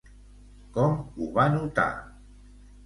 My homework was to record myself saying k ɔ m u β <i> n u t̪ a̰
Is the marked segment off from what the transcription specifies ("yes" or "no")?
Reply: yes